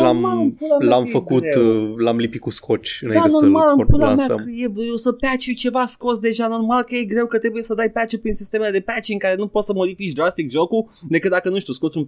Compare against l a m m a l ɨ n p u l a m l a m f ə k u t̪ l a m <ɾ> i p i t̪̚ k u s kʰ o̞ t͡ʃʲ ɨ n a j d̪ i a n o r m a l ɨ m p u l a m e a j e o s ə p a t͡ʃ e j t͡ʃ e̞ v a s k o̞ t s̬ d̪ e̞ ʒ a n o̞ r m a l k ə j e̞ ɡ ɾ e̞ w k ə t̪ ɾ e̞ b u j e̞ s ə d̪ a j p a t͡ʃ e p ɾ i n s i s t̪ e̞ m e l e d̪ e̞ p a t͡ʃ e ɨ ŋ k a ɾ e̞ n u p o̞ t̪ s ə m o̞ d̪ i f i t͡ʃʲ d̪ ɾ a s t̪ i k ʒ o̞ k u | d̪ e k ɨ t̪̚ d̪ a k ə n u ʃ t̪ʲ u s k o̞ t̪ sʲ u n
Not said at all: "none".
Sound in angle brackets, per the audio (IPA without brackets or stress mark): l